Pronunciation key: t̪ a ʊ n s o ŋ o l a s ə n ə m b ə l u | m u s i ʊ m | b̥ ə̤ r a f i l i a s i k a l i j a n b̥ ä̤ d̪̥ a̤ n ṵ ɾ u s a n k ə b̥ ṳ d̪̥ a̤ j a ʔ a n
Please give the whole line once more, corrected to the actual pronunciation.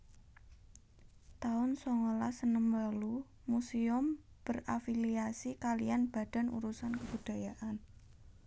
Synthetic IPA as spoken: t̪ a ʊ n s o ŋ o l a s ə n ə m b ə l u | m u s i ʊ m | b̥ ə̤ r a f i l i a s i k a l i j a n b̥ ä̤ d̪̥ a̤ n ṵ ɾ u s a n k ə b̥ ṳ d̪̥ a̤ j a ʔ a n

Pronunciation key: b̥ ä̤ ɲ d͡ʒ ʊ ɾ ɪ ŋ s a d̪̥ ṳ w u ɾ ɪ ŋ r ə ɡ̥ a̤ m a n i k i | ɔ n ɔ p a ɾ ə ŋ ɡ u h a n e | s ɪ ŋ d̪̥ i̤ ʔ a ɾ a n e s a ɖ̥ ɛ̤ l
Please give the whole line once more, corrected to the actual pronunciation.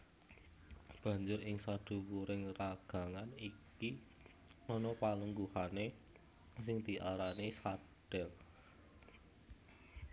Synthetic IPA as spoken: b̥ ä̤ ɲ d͡ʒ ʊ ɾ ɪ ŋ s a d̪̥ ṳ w u ɾ ɪ ŋ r a ɡ̥ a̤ ŋ a n i k i | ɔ n ɔ p a l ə ŋ ɡ u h a n e | s ɪ ŋ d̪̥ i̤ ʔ a ɾ a n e s a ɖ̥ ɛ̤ l

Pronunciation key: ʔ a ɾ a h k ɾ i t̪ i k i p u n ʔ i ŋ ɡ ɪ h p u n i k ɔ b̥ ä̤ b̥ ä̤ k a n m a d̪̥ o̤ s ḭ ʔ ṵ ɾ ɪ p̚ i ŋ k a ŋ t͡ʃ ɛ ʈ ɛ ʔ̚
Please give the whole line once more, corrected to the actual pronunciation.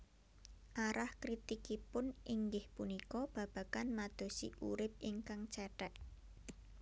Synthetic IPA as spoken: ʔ a ɾ a h k ɾ i t̪ i k i p ʊ n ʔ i ŋ ɡ ɪ h p u n i k ɔ b̥ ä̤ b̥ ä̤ k a n m a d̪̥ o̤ s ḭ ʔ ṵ ɾ ɪ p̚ i ŋ k a ŋ t͡ʃ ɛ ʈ ɛ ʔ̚

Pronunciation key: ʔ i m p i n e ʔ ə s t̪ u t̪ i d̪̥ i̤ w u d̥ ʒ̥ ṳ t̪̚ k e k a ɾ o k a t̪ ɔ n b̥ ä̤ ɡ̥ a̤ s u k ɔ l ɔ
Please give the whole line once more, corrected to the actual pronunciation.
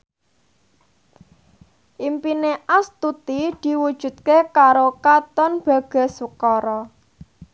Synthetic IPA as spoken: ʔ i m p i n e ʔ a s t̪ u t̪ i d̪̥ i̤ w u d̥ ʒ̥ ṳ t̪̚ k e k a ɾ o k a t̪ ɔ n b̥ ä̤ ɡ̥ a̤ s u k ɔ ɾ ɔ

